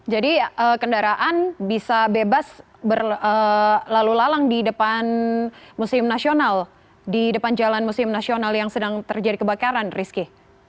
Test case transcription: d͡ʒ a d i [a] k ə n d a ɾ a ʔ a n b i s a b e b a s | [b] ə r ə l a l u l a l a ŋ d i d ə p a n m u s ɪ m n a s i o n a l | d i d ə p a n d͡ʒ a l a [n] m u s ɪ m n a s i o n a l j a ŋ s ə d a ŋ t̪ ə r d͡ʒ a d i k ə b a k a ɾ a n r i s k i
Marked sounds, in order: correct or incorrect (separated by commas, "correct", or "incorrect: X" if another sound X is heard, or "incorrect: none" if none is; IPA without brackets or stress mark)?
incorrect: ə, correct, correct